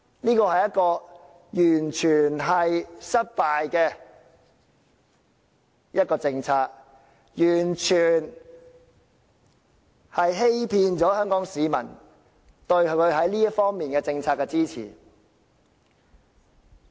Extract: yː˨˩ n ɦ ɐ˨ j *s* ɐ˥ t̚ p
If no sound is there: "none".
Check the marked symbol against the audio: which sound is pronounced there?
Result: s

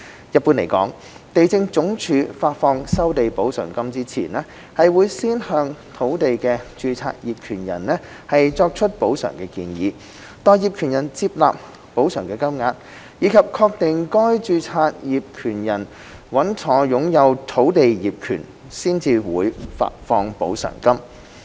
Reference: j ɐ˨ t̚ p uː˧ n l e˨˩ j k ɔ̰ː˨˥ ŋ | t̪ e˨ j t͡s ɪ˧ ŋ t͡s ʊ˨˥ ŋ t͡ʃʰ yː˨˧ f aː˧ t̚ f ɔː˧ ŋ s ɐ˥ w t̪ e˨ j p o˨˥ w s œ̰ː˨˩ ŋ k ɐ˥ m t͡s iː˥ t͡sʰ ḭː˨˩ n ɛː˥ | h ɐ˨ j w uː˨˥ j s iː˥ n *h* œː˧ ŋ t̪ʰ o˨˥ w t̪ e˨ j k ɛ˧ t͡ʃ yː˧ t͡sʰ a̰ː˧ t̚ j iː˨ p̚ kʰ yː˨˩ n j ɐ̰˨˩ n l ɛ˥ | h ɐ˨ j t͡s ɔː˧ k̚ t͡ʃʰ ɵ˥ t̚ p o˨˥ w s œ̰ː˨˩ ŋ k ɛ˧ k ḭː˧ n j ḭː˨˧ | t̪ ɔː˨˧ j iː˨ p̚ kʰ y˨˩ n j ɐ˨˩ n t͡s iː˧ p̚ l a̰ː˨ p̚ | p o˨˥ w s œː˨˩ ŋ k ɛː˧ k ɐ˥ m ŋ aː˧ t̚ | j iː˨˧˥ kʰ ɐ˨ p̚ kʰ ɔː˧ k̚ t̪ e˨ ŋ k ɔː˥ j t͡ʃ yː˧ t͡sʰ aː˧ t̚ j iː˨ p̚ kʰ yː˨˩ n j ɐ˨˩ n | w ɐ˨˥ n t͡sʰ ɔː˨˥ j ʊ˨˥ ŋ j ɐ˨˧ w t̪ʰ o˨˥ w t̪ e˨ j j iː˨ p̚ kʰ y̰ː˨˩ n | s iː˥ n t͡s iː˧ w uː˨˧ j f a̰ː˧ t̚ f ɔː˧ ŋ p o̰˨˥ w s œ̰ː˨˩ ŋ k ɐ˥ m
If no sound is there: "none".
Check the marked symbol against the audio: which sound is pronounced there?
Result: h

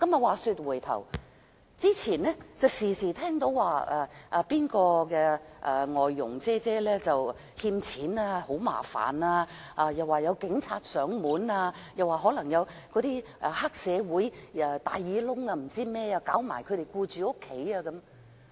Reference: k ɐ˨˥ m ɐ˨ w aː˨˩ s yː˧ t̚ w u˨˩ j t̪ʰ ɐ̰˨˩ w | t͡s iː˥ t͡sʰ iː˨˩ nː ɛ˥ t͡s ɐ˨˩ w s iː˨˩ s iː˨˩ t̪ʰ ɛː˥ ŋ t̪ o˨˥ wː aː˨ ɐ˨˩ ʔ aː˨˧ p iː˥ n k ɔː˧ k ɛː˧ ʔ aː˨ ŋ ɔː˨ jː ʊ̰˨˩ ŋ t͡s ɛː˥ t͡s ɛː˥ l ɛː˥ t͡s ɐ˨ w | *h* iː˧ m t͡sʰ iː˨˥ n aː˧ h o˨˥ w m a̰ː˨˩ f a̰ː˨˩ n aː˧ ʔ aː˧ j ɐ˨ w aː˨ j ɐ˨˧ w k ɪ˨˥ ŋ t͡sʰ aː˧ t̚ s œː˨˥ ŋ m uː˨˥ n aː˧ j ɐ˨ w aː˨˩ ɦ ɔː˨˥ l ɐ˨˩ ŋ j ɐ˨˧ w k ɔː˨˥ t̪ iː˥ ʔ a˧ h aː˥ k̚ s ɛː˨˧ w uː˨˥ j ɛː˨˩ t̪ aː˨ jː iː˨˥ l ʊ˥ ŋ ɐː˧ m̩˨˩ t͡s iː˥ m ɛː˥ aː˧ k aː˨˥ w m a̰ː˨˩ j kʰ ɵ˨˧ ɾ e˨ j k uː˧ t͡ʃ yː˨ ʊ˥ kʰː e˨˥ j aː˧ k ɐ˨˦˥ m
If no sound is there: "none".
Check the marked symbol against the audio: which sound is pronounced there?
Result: h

